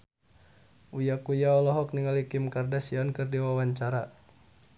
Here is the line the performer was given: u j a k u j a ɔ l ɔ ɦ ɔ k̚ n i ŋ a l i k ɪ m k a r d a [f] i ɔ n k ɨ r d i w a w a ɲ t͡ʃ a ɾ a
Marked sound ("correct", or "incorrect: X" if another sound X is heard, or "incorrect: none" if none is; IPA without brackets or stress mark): incorrect: s